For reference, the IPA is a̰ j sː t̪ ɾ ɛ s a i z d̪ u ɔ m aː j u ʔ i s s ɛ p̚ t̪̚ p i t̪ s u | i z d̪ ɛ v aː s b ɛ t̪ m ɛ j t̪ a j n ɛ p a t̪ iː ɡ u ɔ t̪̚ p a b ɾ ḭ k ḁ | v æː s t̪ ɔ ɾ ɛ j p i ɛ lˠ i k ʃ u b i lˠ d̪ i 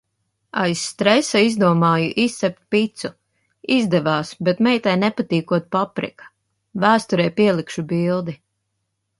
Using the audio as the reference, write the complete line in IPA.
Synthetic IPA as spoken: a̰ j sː t̪ ɾ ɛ s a i z d̪ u ɔ m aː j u ʔ i s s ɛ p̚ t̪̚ p i t̪ s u | i z d̪ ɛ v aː s b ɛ t̪ m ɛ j t̪ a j n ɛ p a t̪ iː k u ɔ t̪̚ p a p ɾ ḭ k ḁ | v æː s t̪ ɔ ɾ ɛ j p i ɛ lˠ i k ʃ u b i lˠ d̪ i